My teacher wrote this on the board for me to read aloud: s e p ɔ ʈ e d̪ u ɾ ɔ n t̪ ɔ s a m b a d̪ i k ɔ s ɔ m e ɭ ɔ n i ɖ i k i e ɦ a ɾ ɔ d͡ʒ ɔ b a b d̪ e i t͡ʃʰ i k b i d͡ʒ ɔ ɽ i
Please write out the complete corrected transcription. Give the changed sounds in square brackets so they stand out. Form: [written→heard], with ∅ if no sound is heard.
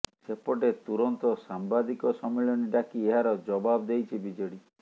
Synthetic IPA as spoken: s e p ɔ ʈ e [d̪→t̪] u ɾ ɔ n t̪ ɔ s a m b a d̪ i k ɔ s ɔ m e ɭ ɔ n i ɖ [i→a] k i e ɦ a ɾ ɔ d͡ʒ ɔ b a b d̪ e [i→j] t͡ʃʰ i [k→∅] b i d͡ʒ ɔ ɽ i